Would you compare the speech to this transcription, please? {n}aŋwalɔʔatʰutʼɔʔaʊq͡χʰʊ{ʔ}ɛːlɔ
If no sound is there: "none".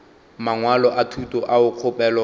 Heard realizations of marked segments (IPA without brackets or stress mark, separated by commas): m, p